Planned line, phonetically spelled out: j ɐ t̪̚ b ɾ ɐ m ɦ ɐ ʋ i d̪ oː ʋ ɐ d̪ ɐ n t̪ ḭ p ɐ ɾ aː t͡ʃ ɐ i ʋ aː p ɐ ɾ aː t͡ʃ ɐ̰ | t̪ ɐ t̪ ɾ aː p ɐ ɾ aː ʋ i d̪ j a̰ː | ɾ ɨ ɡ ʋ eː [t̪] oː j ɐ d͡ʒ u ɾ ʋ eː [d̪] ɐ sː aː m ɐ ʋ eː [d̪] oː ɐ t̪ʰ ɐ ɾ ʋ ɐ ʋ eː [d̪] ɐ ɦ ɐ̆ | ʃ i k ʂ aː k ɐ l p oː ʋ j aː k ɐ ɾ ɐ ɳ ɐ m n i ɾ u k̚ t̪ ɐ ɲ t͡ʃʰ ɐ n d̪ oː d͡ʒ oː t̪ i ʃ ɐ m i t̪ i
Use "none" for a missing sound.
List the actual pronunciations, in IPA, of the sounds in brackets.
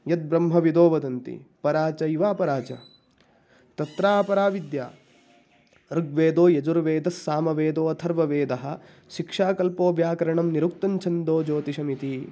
d̪, d̪, d̪, d̪

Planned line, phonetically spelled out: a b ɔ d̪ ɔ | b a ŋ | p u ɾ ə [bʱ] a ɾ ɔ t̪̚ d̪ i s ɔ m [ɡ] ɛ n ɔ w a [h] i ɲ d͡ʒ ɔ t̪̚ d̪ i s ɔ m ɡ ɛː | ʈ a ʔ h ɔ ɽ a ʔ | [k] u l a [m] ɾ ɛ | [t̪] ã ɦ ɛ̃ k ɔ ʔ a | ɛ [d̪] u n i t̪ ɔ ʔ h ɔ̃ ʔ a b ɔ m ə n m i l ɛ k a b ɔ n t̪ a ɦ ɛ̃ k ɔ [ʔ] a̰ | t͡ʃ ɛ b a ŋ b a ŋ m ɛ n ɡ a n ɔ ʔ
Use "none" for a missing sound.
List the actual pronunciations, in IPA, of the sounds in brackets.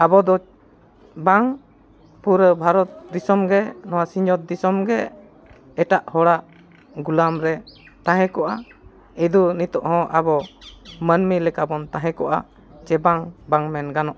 bʱ, ɡ, s, ɡ, m, t̪, d̪, ʔ

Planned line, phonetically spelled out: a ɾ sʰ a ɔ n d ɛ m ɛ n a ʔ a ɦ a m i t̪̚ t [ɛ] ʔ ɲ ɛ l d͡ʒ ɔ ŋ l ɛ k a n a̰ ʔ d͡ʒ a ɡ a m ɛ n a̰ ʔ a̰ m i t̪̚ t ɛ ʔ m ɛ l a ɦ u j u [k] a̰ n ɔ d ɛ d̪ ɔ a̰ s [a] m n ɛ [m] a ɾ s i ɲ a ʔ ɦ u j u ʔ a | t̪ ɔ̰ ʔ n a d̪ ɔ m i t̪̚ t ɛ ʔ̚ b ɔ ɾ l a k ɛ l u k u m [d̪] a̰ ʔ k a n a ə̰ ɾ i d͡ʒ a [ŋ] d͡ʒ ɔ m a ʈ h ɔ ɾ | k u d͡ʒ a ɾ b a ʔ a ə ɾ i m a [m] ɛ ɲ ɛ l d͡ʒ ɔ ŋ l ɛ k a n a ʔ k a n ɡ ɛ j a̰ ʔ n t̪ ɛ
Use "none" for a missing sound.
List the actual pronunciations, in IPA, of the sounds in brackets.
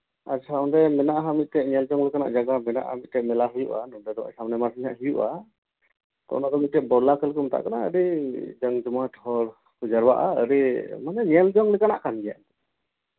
ɛ, ʔ, a, m, t̪, ŋ, n

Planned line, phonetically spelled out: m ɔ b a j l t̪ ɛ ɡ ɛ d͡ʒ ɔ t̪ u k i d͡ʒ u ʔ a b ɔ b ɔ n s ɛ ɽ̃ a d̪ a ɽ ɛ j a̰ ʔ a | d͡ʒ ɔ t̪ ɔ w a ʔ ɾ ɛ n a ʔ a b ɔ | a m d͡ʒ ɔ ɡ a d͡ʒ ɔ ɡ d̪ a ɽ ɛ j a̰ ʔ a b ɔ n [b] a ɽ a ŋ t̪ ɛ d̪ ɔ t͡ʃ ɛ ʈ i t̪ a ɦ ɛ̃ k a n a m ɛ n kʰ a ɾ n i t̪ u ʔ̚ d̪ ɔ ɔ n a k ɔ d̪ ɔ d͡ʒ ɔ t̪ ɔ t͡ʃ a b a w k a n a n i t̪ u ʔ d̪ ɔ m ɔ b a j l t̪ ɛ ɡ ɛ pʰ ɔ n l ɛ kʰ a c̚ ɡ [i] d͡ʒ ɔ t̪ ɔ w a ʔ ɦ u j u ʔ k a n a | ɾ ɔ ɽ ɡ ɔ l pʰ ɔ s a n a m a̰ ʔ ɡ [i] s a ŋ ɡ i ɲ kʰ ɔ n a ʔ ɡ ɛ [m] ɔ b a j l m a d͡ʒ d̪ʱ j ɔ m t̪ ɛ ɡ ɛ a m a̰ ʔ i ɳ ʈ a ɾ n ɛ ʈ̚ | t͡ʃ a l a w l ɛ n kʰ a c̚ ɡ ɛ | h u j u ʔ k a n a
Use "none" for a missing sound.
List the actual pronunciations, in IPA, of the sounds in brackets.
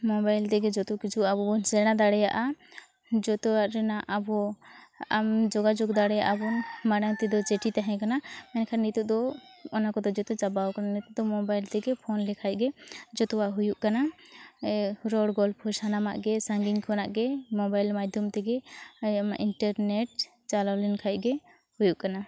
m, ɛ, ɛ, m

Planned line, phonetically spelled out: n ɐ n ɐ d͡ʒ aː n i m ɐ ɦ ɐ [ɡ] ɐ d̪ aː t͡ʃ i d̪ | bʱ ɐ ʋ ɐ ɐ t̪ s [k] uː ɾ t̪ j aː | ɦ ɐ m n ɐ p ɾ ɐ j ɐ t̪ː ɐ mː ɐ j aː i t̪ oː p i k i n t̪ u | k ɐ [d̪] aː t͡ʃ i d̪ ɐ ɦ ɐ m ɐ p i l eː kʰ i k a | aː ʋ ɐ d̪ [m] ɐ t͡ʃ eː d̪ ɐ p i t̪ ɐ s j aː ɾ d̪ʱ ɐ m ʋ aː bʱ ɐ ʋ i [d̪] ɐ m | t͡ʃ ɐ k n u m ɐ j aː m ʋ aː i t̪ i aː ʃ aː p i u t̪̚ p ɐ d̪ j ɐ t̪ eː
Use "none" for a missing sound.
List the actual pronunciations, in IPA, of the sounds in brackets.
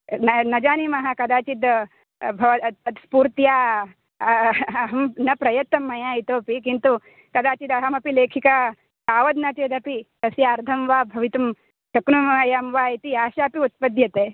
k, p, d̪, n, t̪

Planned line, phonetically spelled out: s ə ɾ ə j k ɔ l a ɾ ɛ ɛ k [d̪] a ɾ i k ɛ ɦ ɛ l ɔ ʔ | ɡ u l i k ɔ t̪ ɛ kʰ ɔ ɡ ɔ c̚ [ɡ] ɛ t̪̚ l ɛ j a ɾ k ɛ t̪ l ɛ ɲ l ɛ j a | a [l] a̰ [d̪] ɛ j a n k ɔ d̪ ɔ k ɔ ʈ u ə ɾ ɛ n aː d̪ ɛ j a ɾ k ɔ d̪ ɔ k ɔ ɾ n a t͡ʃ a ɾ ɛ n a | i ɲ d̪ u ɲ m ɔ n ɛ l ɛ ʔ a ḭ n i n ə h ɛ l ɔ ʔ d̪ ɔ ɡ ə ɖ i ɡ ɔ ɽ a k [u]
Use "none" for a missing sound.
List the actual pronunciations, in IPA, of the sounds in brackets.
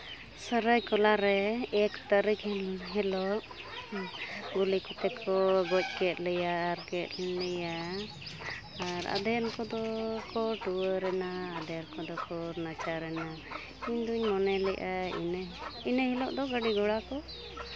t̪, k, ɾ, d̪, ɔ

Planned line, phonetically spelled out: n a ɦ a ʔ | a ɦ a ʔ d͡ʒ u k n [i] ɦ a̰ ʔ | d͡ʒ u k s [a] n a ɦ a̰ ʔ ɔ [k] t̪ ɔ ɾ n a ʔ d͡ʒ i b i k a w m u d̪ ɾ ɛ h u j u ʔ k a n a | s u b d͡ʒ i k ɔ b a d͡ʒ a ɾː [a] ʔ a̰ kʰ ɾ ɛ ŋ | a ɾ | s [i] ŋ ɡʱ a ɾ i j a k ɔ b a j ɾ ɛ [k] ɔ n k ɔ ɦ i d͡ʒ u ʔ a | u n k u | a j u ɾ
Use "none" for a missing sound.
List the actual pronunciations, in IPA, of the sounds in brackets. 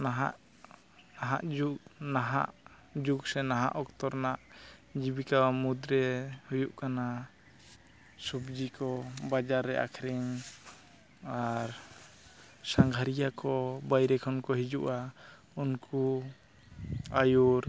a, ɛ, k, ɛ, a, kʰ

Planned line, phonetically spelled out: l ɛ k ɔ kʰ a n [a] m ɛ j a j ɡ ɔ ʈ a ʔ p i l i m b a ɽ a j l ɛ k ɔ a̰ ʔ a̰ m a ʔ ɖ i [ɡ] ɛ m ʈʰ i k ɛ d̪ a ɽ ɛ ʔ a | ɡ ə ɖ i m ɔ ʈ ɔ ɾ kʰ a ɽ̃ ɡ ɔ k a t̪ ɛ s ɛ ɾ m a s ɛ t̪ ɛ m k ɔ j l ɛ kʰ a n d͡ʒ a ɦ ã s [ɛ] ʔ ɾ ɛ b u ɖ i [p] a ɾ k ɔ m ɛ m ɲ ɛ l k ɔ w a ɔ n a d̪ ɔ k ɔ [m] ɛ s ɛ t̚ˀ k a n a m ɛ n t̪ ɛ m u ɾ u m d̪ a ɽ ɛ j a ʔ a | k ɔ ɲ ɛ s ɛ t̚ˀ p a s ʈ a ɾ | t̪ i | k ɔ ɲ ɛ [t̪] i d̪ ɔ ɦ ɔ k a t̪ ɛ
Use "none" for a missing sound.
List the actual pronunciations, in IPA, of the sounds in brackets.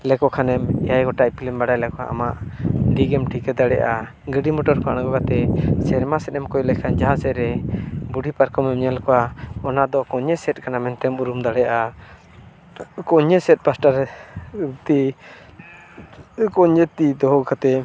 ɛ, ɡ, ɛ, p, ɲ, t̪

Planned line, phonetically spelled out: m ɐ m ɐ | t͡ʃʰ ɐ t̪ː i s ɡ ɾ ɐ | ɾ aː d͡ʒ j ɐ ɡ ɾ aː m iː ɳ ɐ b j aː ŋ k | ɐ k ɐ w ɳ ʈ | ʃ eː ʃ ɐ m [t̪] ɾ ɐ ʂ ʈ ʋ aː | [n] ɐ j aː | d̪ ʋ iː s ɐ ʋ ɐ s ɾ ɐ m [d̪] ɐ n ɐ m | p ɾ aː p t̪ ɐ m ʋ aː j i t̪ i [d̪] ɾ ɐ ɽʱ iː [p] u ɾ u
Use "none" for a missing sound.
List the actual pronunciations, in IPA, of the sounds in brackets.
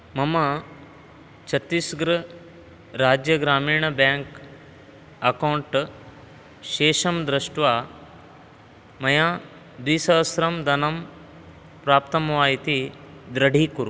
d̪, m, d̪, d̪, k

